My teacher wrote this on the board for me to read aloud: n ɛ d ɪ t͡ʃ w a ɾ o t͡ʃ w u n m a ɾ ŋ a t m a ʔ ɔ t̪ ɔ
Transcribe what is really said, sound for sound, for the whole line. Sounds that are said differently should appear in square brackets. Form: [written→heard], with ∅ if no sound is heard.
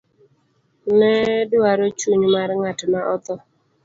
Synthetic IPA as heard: n ɛ d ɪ [t͡ʃ→∅] w a ɾ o t͡ʃ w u [n→ɲ] m a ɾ ŋ a t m a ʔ ɔ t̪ ɔ